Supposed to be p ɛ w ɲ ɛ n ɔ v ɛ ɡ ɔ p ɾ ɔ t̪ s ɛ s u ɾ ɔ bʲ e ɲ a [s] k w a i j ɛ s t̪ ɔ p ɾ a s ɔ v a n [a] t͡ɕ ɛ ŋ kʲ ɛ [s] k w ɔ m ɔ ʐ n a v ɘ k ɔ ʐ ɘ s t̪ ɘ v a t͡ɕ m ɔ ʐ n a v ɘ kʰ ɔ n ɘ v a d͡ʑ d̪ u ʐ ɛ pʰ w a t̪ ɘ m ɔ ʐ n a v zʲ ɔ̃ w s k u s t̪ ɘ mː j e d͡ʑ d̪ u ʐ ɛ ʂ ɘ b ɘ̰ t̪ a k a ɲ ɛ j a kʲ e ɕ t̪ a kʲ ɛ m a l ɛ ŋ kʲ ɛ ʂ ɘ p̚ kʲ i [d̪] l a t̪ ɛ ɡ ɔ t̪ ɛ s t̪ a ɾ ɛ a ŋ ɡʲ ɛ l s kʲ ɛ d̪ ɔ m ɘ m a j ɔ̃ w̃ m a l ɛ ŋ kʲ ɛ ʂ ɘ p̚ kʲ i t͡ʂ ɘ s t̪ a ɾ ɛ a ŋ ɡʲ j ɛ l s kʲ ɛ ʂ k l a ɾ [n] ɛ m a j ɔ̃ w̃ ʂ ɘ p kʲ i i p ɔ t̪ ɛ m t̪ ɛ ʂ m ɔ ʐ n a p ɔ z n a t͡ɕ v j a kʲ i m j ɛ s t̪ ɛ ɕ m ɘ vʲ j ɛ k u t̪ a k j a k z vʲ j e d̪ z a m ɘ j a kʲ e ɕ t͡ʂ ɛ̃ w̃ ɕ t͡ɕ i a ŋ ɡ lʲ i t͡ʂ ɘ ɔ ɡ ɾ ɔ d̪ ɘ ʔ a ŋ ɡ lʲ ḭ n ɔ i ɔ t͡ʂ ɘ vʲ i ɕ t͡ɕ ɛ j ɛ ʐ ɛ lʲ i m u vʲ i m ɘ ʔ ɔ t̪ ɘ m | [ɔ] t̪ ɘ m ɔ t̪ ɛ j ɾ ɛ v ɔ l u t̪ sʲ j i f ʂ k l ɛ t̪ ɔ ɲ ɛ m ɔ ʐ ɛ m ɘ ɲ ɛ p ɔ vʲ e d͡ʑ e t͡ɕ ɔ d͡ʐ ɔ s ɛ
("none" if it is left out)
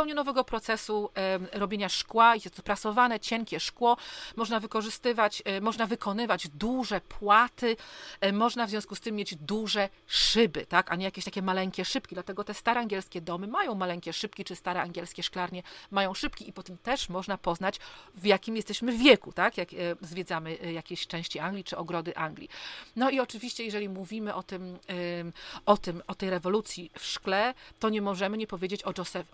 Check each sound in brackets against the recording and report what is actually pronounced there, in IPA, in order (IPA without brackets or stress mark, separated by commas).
ʂ, ɛ, ʂ, d̪, ɲ, ɔ